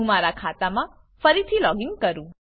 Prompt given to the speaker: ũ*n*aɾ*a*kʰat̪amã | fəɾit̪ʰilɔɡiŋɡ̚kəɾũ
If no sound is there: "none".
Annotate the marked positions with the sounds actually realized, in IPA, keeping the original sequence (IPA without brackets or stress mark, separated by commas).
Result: m, a